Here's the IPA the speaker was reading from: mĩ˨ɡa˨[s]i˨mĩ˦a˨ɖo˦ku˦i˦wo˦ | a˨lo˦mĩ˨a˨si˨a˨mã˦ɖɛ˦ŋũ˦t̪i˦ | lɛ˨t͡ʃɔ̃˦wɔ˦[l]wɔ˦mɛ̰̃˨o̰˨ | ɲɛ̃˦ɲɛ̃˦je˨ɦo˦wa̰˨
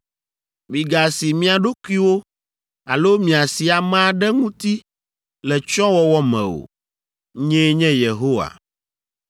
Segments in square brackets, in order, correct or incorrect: correct, incorrect: none

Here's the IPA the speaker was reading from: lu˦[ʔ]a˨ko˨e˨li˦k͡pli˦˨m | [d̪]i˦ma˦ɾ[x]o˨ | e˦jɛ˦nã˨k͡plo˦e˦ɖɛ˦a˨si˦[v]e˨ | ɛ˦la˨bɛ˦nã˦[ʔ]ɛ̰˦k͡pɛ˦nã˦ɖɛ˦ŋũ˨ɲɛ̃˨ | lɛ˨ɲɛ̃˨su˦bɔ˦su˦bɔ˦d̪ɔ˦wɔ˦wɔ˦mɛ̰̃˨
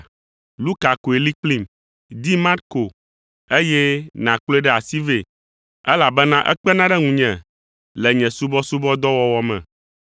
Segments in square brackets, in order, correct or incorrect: incorrect: k, correct, incorrect: k, correct, correct

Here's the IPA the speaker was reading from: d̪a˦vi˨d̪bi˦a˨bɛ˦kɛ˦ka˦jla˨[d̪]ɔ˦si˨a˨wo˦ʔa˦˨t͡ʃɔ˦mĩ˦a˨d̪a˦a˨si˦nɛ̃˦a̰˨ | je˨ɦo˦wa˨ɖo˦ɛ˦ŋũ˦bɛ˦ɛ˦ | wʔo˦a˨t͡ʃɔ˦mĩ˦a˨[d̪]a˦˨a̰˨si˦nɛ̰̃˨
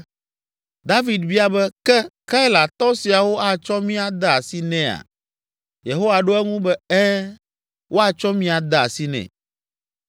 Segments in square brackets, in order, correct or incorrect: incorrect: t̪, correct

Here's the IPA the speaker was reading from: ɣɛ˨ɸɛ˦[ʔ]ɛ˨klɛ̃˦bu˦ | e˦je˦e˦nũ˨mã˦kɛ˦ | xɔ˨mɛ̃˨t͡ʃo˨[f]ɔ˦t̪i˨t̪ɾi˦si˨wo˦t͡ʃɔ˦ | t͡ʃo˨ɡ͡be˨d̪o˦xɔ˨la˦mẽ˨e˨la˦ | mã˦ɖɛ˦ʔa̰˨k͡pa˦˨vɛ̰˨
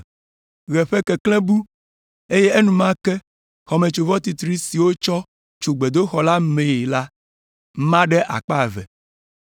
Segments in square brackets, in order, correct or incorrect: incorrect: k, incorrect: v

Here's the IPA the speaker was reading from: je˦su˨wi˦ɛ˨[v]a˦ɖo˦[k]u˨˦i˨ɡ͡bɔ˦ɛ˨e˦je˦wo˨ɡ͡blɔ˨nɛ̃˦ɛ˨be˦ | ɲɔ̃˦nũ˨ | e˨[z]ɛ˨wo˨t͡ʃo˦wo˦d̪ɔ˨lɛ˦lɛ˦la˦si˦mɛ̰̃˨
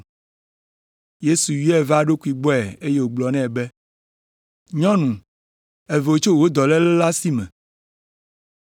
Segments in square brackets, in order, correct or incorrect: correct, correct, incorrect: v

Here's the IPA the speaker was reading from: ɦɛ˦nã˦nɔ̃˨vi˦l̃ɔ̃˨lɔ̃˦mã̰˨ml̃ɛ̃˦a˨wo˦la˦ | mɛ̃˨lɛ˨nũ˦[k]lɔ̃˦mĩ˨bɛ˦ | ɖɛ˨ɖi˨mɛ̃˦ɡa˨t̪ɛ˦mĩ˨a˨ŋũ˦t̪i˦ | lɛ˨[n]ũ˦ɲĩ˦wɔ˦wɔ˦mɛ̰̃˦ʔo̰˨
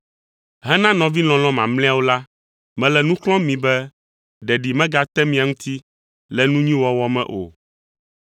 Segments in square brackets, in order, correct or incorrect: correct, correct

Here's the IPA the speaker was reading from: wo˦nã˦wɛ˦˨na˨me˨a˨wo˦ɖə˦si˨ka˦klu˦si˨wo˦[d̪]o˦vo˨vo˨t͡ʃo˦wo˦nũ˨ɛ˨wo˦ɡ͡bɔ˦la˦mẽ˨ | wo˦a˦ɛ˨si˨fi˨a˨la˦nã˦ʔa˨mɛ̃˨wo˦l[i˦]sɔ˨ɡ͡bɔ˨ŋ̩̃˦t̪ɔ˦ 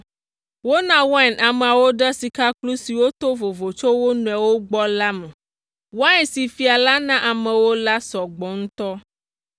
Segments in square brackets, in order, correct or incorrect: incorrect: t̪, incorrect: a˦

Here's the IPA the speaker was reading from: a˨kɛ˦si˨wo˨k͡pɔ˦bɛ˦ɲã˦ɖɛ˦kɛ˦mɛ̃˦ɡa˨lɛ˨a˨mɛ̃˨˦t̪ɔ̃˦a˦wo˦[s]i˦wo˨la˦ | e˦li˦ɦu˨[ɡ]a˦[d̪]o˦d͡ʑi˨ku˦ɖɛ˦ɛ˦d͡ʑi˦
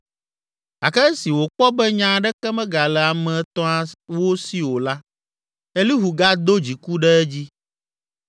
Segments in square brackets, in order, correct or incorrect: correct, correct, correct

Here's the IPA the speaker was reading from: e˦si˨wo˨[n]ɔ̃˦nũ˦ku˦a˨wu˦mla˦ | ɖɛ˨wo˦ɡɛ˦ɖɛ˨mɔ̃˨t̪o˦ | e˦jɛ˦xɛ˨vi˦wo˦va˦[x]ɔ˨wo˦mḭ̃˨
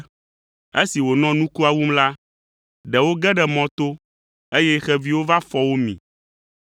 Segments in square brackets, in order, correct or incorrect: correct, incorrect: f

